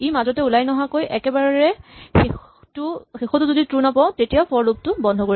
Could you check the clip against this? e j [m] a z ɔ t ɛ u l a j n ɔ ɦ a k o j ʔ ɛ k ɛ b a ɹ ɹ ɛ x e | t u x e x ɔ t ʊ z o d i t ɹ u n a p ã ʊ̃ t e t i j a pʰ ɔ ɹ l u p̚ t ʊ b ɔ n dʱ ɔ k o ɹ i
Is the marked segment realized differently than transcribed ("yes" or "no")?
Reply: no